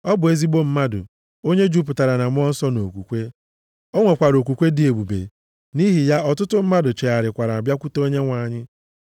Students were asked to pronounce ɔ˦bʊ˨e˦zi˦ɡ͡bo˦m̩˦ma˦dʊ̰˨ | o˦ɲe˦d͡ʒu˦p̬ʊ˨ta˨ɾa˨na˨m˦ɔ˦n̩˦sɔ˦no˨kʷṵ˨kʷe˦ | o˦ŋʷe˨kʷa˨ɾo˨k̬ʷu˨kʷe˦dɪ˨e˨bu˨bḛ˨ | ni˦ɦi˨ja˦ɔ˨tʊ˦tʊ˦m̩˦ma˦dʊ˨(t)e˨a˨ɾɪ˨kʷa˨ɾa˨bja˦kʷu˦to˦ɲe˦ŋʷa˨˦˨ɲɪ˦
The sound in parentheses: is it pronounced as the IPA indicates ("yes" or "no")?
no